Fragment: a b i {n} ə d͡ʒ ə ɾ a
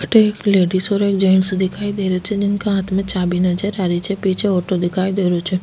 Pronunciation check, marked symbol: correct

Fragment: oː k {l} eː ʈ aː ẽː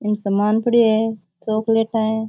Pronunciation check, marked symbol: correct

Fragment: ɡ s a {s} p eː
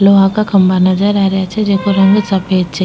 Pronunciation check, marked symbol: incorrect: none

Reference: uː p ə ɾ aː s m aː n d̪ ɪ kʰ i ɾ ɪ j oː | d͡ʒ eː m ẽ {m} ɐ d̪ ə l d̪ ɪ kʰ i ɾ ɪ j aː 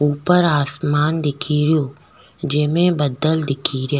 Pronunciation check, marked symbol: incorrect: b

